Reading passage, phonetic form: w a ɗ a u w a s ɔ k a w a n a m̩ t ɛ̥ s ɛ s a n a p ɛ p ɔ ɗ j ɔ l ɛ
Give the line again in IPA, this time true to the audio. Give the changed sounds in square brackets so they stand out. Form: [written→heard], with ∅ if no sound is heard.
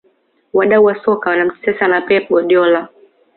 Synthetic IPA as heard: w a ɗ a u w a s ɔ k a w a n a m̩ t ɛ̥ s ɛ s a n a p ɛ p ɔ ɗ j ɔ l [ɛ→a]

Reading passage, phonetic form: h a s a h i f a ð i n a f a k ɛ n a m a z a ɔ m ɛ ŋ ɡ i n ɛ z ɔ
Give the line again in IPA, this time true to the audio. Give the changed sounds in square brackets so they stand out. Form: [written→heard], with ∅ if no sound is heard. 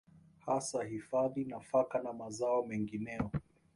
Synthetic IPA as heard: h a s a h i f a ð i n a f a k [ɛ→a] n a m a z a ɔ m ɛ ŋ ɡ i n ɛ [z→∅] ɔ

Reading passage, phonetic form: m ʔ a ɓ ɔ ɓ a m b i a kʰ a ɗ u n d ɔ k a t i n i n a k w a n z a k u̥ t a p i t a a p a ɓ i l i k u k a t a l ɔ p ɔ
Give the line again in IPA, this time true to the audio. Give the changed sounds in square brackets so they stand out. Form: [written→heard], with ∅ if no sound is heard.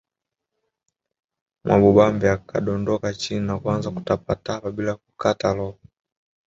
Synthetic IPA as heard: m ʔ a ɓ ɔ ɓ a m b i a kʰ a ɗ [u→ɔ] n d ɔ k a [t→t͡ʃ] i n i n a k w a n z a k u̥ t a p [i→a] t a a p a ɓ i l [i→a] k u k a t a l ɔ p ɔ

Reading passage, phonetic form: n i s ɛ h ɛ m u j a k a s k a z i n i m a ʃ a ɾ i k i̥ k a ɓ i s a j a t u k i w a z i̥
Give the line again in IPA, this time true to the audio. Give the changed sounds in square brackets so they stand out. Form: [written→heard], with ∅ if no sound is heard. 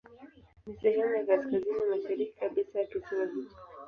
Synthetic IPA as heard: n i s ɛ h ɛ m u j a k a s k a z i n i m a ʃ a ɾ i k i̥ k a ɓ i s a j a t u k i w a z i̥

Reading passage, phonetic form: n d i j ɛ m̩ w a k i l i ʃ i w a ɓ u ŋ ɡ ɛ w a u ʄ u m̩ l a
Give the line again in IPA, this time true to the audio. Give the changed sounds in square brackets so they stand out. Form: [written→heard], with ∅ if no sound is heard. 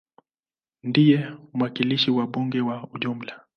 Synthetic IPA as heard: n d i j ɛ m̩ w a k i l i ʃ i w a ɓ u ŋ ɡ ɛ w a u ʄ u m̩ l a

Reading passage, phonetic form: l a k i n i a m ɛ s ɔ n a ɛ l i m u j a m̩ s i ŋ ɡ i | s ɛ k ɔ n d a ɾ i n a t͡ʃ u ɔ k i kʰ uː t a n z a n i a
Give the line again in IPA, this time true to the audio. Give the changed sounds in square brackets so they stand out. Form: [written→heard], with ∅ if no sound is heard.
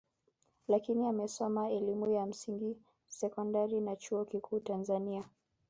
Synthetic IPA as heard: l a k i n i a m ɛ s ɔ [n→m] a ɛ l i m u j a m̩ s i ŋ ɡ i | s ɛ k ɔ n d a ɾ i n a t͡ʃ u ɔ k i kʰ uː t a n z a n i a

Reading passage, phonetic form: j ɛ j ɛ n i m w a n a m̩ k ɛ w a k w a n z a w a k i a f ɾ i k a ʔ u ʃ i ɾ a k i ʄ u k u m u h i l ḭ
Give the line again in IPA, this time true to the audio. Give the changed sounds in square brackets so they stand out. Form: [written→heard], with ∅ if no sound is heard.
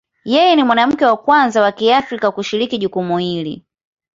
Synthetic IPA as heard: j ɛ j ɛ n i m w a n a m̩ k ɛ w a k w a n z a w a k i a f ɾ i k a [ʔ→k] u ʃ i ɾ [a→i] k i ʄ u k u m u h i l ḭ

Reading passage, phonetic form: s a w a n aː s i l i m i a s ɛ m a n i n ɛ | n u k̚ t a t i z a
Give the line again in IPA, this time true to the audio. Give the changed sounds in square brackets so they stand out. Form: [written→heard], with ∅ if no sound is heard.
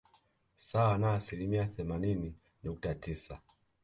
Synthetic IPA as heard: s a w a n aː s i l i m i a [s→θ] ɛ m a n i n [ɛ→i] | n u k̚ t a t i [z→s] a

